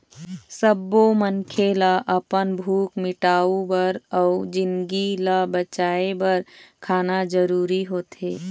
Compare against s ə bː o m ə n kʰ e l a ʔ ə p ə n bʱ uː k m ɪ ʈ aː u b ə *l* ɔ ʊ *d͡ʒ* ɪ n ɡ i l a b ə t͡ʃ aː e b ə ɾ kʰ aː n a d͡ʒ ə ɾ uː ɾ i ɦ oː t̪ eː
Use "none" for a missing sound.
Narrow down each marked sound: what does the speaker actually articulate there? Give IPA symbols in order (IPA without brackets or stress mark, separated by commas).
ɾ, d͡ʒ